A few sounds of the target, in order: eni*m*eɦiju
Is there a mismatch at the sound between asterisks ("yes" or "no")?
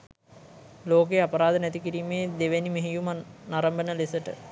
no